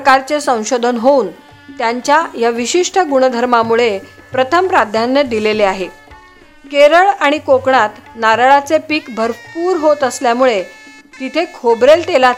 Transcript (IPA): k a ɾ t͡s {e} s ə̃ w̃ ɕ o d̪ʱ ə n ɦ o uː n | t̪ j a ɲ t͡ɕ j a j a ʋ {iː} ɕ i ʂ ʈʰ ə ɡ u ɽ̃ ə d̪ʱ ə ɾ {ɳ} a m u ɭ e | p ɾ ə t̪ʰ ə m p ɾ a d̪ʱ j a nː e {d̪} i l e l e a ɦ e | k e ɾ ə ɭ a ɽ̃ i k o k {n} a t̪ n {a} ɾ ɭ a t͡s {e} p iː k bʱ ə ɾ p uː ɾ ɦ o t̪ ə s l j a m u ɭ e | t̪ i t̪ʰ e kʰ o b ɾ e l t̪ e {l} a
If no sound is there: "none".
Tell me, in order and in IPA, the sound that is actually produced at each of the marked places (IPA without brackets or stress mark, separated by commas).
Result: e, i, m, d̪, ɳ, a, e, l